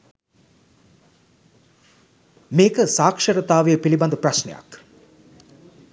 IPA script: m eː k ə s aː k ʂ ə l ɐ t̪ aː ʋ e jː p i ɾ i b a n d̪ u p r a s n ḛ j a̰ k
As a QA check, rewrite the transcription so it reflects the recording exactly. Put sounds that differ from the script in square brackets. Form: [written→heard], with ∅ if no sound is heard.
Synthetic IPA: m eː k ə s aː k ʂ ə [l→ɾ] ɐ t̪ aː ʋ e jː p i [ɾ→l] i b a n d̪ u p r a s n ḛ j a̰ k